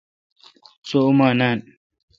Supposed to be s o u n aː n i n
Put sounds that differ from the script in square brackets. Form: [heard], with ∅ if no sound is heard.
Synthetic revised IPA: s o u [m] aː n [a] n